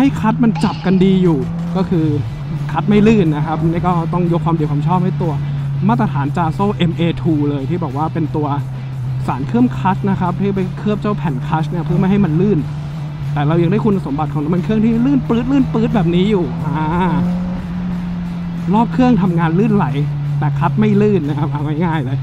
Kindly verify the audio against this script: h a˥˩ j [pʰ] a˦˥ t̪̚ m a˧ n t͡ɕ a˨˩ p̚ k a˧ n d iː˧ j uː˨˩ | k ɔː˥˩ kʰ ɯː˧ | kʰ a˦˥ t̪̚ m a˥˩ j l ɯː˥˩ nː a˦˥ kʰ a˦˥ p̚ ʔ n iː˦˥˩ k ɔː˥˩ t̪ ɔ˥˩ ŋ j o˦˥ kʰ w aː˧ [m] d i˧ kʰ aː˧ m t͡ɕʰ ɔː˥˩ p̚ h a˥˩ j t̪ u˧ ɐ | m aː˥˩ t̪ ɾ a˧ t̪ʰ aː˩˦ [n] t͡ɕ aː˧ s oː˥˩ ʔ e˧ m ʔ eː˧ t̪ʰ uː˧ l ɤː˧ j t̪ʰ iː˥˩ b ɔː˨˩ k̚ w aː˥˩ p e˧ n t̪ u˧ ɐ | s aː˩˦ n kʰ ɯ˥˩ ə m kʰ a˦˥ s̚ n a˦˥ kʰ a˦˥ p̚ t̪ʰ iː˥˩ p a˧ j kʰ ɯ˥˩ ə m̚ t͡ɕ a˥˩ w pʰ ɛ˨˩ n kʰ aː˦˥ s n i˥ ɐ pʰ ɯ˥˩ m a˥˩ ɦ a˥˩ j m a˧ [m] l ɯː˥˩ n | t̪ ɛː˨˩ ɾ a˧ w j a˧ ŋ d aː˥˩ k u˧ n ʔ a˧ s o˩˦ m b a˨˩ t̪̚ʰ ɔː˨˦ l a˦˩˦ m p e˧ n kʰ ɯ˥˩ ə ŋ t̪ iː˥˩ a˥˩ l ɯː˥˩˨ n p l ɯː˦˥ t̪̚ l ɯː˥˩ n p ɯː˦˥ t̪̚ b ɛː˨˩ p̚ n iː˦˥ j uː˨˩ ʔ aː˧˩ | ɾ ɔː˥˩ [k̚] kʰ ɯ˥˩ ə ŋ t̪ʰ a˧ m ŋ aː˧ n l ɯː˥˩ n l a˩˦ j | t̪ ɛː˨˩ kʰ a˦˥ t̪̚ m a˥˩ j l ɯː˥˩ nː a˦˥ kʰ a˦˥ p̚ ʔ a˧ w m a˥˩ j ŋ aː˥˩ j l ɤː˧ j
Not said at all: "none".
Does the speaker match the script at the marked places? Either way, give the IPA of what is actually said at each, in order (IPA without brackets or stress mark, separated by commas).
kʰ, m, n, n, p̚